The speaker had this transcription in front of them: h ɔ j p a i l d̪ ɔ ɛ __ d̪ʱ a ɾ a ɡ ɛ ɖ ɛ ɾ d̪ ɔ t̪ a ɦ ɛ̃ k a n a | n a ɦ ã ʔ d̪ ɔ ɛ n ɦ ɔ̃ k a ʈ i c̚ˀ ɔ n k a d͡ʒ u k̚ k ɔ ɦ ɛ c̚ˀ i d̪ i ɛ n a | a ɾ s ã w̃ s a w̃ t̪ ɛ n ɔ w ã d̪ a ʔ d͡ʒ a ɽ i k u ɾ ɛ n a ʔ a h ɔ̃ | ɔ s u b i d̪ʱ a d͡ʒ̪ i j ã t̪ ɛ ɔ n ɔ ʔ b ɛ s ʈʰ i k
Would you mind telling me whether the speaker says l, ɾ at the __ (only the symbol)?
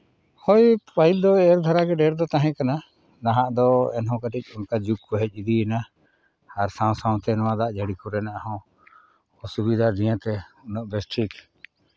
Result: ɾ